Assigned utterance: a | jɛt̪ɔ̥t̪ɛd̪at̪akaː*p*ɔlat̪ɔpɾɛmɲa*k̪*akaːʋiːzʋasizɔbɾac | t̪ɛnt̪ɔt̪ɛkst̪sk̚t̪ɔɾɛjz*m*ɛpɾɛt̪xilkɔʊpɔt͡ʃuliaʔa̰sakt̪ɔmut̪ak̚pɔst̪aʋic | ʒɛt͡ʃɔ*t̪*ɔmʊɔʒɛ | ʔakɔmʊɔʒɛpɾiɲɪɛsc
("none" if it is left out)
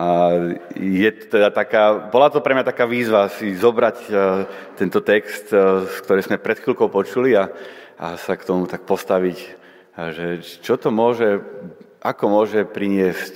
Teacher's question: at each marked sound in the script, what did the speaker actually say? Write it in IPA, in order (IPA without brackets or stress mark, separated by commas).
b, t̪, m, t̪